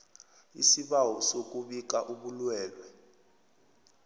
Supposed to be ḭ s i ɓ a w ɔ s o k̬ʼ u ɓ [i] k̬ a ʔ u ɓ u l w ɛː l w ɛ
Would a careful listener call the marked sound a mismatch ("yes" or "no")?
no